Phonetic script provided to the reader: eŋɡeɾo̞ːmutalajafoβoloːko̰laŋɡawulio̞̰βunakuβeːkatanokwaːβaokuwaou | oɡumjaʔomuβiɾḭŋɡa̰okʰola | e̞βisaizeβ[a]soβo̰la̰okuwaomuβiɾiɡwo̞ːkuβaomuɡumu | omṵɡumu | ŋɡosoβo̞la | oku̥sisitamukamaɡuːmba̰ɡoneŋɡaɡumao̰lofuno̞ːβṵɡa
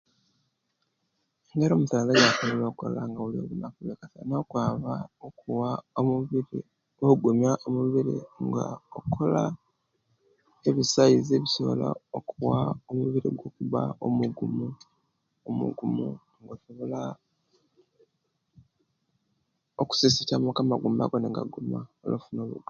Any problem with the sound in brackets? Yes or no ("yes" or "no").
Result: yes